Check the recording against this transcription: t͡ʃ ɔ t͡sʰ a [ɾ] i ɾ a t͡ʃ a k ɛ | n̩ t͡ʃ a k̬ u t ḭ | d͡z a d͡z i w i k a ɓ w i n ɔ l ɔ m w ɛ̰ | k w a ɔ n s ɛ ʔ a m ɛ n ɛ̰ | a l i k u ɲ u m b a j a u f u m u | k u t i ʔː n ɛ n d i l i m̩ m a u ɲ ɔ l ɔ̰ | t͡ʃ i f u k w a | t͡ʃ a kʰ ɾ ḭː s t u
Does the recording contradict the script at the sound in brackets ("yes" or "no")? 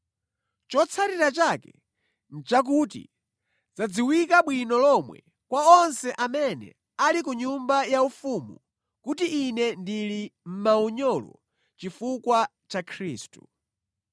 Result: no